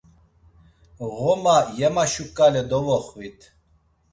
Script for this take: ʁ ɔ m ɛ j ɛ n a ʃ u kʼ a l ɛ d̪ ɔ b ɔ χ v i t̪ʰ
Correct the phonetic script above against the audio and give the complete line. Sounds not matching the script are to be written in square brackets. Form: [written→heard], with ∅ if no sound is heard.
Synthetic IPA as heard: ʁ ɔ m [ɛ→a] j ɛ [n→m] a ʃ u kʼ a l ɛ d̪ ɔ [b→v] ɔ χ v i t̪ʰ